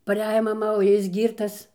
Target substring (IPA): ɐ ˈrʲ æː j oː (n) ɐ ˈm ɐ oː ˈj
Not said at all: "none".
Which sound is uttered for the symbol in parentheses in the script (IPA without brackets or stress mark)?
m